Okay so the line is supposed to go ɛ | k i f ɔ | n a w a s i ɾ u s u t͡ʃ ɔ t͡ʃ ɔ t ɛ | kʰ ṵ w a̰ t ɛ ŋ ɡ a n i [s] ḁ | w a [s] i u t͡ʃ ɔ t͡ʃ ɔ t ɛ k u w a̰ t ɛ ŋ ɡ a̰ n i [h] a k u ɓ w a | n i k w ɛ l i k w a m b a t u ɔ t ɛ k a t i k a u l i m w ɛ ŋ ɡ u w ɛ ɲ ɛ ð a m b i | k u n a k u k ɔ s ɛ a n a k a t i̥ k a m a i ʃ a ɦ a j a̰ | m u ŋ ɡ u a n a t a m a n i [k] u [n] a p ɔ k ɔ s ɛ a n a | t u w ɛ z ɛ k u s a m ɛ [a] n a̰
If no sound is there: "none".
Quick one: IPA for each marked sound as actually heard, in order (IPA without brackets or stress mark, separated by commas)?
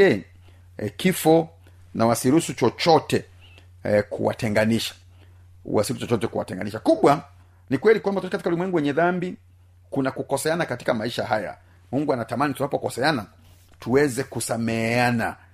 ʃ, s, ʃ, t, n, a